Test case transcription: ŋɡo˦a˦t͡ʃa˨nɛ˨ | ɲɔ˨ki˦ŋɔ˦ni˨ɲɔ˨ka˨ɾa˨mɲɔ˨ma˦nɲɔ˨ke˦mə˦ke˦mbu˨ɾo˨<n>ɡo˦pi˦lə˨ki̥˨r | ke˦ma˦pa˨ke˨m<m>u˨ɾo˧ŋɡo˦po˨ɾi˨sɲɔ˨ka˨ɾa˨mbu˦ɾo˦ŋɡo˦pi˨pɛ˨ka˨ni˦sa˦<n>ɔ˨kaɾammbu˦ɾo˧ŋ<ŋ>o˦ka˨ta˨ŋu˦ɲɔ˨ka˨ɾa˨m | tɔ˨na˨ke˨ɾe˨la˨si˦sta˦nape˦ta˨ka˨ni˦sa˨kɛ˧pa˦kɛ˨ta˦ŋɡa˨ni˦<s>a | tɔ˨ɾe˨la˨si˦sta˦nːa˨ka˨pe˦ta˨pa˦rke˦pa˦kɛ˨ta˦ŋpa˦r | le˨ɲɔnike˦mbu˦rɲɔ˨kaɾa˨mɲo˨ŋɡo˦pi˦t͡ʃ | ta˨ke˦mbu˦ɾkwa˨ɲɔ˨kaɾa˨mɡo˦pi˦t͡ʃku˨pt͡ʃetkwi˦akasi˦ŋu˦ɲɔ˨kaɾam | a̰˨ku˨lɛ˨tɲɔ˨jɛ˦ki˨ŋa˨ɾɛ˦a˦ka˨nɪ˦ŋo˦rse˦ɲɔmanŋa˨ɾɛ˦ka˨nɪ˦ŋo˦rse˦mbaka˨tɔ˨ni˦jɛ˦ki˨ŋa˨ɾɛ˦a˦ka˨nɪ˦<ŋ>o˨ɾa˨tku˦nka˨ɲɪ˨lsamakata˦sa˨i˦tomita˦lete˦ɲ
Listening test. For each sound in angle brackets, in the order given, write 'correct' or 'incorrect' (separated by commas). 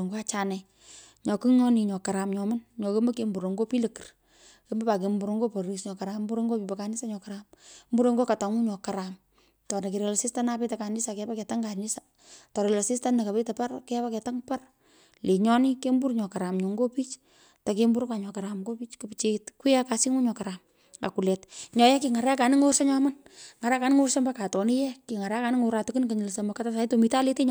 incorrect, incorrect, incorrect, incorrect, correct, correct